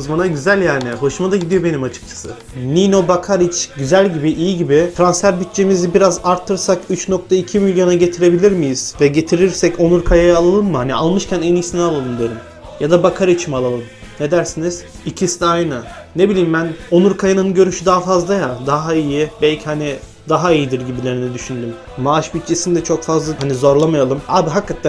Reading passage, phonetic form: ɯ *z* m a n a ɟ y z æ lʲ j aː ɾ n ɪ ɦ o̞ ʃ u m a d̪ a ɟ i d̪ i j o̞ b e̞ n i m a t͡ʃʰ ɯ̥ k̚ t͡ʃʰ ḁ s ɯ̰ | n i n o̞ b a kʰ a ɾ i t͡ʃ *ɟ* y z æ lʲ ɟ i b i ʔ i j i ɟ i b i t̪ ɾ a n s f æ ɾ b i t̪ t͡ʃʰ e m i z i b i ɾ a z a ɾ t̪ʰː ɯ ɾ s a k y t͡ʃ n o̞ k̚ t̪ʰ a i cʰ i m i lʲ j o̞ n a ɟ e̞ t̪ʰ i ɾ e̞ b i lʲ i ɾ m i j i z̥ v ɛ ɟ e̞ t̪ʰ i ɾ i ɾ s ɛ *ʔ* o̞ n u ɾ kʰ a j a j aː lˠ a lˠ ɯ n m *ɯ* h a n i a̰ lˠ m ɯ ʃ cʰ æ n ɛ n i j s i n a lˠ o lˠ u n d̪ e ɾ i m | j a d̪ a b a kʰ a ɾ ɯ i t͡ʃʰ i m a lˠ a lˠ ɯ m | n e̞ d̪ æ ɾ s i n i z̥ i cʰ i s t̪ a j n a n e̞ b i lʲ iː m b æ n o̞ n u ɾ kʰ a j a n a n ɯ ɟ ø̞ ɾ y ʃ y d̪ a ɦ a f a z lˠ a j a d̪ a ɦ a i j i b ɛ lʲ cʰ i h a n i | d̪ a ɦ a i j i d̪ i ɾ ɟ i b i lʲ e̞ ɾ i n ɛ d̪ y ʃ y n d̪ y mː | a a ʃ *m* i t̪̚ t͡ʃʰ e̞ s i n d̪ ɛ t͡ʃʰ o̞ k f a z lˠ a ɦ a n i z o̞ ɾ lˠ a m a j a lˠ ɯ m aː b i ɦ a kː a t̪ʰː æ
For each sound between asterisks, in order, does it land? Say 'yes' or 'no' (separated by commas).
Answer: yes, yes, no, yes, no